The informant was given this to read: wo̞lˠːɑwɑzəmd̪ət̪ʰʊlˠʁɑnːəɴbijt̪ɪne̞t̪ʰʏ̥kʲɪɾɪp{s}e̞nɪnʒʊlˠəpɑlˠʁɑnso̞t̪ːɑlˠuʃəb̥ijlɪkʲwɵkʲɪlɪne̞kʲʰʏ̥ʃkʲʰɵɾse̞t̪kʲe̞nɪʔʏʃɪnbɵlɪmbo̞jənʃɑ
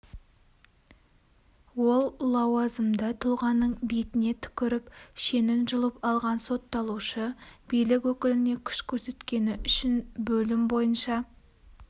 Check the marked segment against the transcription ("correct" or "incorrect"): incorrect